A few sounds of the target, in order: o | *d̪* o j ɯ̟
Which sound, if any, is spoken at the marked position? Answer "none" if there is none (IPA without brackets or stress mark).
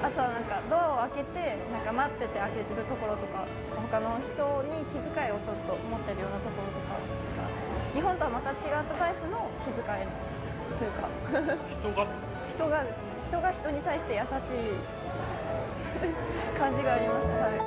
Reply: t̪